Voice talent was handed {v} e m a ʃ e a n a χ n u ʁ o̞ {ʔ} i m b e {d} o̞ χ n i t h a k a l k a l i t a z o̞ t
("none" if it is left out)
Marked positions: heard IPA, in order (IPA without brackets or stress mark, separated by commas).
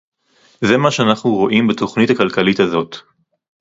z, ʔ, t